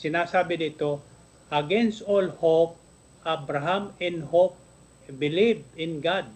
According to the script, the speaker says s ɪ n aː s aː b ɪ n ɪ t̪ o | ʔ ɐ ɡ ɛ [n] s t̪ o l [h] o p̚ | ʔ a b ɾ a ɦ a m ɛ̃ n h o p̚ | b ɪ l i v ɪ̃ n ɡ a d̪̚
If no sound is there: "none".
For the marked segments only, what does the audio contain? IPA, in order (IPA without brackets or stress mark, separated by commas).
n, h